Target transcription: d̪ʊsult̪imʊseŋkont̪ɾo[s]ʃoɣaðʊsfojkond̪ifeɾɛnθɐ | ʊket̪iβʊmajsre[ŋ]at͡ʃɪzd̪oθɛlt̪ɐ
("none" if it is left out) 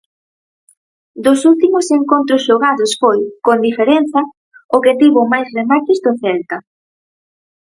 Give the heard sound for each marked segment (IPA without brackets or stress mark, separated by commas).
s, m